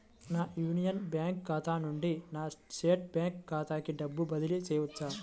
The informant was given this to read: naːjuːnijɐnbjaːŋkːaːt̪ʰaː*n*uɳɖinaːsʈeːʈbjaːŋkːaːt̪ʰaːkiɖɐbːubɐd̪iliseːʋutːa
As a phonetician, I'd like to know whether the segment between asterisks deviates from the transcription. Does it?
no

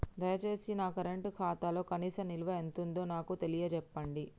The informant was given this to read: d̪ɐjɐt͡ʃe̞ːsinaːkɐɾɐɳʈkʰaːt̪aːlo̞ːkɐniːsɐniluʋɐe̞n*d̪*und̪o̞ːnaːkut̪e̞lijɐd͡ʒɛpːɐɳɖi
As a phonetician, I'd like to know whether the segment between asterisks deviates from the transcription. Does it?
yes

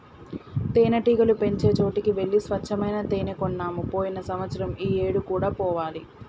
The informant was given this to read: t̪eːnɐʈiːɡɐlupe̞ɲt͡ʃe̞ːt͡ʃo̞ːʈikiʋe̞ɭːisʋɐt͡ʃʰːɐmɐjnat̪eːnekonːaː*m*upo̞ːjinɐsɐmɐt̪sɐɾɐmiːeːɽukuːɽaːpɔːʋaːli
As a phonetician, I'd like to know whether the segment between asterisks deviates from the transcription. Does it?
no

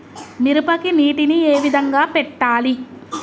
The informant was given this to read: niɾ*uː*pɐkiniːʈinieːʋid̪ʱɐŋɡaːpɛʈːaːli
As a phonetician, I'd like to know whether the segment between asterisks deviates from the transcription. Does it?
yes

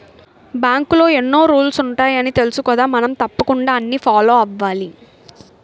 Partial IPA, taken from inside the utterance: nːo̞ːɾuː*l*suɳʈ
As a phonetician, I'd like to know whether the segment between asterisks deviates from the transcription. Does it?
no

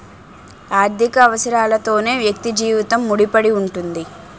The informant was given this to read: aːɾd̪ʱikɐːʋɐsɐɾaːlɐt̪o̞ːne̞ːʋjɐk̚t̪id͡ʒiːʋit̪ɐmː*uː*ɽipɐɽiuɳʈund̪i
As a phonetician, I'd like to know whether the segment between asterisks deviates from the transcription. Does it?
yes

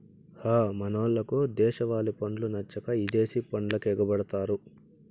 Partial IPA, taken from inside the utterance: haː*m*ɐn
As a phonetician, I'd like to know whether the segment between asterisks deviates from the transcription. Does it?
no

